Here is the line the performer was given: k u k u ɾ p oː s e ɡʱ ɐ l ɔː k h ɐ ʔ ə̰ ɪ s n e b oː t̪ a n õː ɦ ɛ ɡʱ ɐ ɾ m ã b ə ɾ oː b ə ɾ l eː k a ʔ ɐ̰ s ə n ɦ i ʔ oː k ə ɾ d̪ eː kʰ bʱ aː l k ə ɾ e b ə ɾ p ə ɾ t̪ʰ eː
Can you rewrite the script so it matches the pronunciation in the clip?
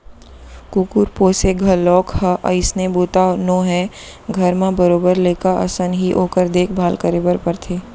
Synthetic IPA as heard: k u k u ɾ p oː s e ɡʱ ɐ l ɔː k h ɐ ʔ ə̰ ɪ s n e b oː t̪ a n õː ɦ ɛ ɡʱ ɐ ɾ m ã b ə ɾ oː b ə ɾ l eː k a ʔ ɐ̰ s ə n ɦ i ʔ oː k ə ɾ d̪ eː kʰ bʱ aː l k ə ɾ e b ə ɾ p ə ɾ t̪ʰ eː